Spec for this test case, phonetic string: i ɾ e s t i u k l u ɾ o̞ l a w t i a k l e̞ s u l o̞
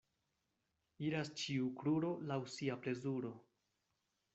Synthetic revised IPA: i ɾ a s t͡ʃ i u k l u ɾ o̞ l a w s i a p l e̞ z u ɾ o̞